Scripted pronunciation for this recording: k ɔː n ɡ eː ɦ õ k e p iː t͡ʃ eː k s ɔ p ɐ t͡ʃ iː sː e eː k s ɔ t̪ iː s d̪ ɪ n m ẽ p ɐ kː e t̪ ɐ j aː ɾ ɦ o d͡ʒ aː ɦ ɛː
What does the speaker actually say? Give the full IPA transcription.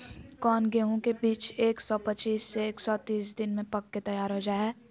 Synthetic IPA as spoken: k ɔː n ɡ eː ɦ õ k e b iː t͡ʃ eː k s ɔ p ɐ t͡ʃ iː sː e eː k s ɔ t̪ iː s d̪ ɪ n m ẽ p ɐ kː e t̪ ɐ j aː ɾ ɦ o d͡ʒ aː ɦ ɛː